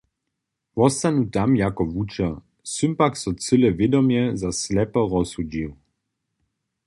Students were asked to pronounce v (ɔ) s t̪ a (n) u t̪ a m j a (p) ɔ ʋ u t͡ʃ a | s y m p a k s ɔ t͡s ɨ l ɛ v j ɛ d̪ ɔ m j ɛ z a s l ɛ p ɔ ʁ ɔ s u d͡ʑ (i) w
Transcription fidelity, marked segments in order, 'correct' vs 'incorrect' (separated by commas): correct, correct, incorrect, correct